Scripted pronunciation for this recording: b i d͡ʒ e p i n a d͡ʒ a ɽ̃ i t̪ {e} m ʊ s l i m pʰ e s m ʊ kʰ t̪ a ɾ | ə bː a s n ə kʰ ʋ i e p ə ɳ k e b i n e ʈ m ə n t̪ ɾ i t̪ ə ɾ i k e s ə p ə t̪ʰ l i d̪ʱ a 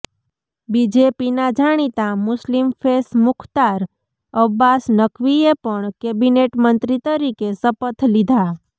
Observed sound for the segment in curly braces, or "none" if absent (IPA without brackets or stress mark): a